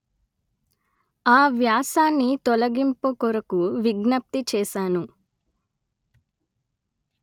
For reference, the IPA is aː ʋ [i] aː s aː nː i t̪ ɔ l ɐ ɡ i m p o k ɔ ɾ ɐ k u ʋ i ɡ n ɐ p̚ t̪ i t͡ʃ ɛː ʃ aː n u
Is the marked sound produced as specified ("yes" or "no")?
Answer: no